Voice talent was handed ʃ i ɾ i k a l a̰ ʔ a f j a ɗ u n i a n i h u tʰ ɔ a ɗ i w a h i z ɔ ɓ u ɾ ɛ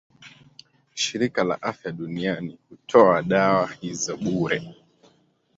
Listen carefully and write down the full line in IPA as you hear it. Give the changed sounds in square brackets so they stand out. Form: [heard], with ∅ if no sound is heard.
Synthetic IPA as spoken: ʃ i ɾ i k a l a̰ ʔ a f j a ɗ u n i a n i h u tʰ ɔ a ɗ [a] w a h i z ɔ ɓ u ɾ ɛ